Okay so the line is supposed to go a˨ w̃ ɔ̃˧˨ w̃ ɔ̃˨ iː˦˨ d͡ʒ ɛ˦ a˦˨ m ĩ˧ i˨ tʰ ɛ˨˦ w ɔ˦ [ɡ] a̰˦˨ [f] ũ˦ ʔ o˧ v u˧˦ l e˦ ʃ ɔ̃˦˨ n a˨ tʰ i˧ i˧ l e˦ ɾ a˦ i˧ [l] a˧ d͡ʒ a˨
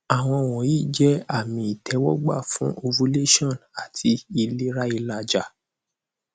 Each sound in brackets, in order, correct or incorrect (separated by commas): incorrect, correct, correct